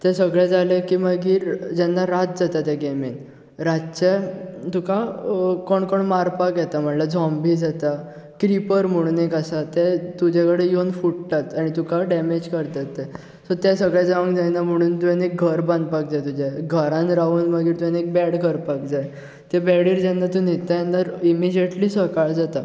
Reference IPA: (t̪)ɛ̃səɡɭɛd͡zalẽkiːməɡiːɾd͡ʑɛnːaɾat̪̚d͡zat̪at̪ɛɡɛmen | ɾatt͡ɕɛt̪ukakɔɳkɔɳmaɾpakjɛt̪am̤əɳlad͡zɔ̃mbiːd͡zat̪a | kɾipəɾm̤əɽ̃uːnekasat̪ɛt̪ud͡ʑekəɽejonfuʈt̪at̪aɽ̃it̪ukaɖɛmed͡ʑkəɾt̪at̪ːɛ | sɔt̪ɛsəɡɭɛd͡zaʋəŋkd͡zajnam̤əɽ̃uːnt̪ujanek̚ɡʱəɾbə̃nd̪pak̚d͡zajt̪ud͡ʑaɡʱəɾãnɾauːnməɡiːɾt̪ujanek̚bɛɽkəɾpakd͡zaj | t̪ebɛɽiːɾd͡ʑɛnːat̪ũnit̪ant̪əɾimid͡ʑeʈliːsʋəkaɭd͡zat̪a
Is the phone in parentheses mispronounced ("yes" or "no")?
no